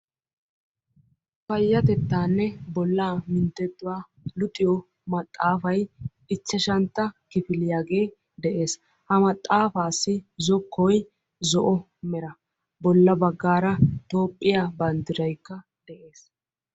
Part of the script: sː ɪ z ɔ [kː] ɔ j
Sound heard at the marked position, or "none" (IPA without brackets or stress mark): kː